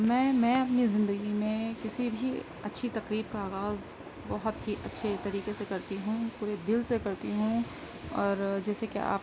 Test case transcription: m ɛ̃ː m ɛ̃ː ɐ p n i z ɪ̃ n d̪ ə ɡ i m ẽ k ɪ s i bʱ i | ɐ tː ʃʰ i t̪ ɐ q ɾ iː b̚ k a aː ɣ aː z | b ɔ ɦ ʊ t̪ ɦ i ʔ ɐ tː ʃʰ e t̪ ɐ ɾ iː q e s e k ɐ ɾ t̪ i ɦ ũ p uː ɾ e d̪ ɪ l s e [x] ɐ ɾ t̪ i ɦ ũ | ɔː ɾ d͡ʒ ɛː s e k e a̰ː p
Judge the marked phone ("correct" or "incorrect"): incorrect